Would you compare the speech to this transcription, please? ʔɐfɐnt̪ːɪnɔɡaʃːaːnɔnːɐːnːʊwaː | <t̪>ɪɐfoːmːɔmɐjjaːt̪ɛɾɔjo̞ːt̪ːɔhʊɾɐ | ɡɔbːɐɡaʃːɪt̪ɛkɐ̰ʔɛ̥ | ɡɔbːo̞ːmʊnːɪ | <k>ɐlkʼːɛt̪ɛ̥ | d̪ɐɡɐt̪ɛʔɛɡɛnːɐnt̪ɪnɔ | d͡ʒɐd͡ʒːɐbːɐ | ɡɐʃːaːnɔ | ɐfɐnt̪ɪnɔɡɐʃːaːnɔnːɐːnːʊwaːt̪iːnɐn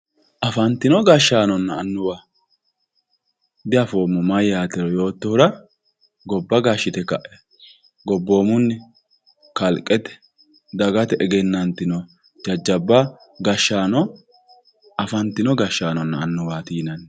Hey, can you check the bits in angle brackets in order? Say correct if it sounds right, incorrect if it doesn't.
incorrect: d̪, correct

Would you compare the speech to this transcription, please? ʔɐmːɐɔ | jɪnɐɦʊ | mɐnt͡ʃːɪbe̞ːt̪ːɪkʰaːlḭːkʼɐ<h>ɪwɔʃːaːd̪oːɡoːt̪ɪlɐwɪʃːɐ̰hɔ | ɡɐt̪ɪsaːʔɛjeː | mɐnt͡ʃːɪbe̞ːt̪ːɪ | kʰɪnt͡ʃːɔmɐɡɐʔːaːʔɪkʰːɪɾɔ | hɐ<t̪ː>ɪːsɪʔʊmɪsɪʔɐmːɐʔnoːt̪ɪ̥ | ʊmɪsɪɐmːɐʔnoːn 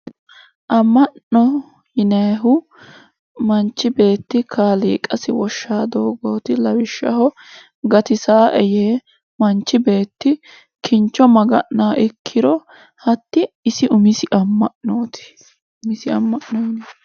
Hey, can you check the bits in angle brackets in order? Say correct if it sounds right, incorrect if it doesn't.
incorrect: s, correct

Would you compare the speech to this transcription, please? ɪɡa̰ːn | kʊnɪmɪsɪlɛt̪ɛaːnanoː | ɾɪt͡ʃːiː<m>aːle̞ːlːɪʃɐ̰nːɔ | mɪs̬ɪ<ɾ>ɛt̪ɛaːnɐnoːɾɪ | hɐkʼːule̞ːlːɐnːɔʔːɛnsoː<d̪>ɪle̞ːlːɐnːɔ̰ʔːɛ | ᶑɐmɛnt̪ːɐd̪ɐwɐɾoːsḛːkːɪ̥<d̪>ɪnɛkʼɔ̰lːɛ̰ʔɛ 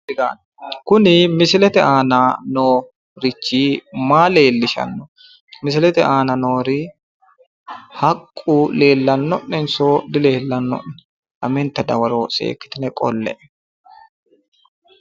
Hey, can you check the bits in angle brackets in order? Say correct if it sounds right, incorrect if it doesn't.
correct, incorrect: l, correct, incorrect: t̪

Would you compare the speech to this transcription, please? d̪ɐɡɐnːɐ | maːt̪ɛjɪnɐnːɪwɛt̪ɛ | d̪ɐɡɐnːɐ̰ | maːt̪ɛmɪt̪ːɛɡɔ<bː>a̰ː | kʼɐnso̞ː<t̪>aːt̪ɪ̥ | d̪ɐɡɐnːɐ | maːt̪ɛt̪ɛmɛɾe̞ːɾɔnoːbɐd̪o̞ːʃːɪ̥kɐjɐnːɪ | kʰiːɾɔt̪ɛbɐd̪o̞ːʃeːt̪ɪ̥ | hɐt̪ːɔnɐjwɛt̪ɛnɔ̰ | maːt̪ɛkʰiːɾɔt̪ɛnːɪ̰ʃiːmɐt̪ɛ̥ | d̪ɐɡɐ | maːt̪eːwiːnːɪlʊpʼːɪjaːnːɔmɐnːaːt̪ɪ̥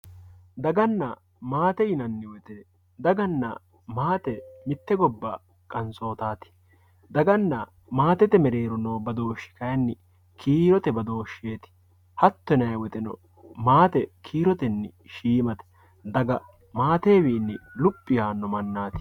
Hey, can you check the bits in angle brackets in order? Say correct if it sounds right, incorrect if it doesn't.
correct, correct

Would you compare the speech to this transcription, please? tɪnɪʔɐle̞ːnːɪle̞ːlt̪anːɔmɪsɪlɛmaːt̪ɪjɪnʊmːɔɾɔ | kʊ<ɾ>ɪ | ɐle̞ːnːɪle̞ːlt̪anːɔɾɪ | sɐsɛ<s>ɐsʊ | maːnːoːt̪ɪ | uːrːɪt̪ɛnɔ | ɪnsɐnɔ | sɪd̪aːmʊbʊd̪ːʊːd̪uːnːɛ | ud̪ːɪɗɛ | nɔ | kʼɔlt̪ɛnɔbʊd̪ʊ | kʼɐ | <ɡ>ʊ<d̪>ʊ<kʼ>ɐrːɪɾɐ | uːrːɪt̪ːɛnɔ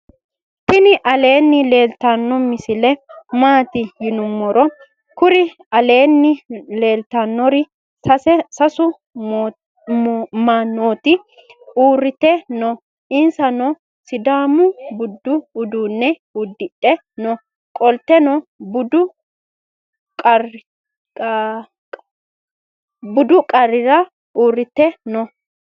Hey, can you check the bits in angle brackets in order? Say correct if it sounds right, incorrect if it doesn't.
correct, correct, incorrect: b, correct, correct

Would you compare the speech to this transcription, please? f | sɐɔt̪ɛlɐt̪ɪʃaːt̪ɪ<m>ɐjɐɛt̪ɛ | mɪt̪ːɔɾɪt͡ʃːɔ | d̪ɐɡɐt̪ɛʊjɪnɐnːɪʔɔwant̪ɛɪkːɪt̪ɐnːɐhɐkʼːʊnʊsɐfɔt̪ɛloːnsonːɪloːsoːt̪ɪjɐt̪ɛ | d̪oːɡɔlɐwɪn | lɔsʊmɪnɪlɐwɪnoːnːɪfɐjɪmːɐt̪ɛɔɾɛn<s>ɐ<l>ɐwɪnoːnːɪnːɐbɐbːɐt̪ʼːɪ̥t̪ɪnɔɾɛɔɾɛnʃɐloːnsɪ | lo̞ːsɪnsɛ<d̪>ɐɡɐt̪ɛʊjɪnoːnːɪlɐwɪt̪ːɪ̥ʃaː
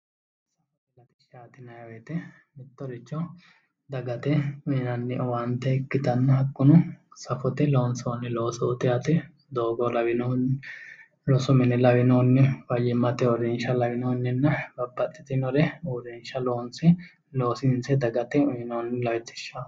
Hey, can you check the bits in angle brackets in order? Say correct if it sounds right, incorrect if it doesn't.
incorrect: n, incorrect: ʃ, correct, correct

